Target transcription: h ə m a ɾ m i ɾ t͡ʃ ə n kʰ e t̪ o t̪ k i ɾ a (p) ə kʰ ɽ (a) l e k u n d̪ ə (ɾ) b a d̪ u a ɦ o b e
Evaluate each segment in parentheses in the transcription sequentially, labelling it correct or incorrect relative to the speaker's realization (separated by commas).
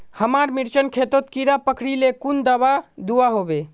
correct, incorrect, incorrect